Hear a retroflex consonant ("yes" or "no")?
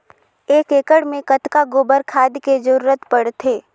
yes